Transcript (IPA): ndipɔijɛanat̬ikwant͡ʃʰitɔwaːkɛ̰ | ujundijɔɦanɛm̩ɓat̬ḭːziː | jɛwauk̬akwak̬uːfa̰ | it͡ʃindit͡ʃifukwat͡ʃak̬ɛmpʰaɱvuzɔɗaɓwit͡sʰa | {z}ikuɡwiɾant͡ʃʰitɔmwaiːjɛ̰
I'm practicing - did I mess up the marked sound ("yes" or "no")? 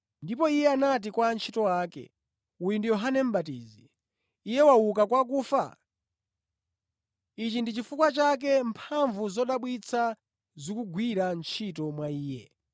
no